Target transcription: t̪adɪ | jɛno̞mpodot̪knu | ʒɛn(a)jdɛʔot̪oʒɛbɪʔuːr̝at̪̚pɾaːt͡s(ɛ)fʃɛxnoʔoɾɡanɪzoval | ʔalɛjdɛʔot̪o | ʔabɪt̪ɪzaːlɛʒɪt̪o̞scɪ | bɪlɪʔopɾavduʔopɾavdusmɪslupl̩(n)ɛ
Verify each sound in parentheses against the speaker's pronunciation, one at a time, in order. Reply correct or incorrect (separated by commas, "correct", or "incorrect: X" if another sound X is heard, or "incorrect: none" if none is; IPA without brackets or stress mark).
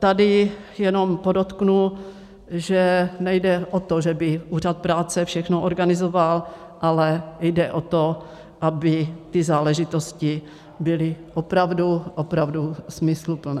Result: incorrect: ɛ, correct, correct